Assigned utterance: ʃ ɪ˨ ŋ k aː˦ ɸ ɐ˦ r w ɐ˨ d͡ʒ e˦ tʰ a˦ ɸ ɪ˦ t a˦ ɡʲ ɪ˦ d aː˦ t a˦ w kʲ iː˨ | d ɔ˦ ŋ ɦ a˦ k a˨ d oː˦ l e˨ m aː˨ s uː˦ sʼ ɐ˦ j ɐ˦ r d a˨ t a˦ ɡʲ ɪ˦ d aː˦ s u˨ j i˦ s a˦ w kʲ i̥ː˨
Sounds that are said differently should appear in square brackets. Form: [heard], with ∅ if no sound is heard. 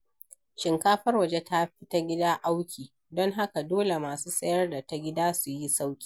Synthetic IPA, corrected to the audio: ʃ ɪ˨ ŋ k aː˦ ɸ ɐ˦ r w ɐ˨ d͡ʒ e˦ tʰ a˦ ɸ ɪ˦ t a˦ ɡʲ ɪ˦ d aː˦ [ʔ] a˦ w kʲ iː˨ | d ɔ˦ ŋ ɦ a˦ k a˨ d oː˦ l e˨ m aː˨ s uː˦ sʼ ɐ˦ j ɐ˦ r d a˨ t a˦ ɡʲ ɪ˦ d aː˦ s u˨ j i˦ s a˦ w kʲ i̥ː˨